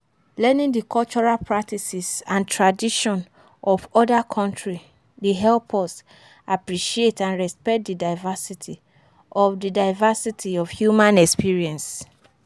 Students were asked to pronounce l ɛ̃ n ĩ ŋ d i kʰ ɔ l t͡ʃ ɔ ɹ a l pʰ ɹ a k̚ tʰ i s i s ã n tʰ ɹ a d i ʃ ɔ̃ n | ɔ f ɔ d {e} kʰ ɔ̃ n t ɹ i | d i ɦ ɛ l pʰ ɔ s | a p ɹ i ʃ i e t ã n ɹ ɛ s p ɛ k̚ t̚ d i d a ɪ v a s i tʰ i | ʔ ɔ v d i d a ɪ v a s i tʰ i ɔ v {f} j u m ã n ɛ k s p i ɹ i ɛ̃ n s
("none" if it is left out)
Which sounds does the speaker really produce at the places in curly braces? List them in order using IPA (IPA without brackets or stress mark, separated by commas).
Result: a, h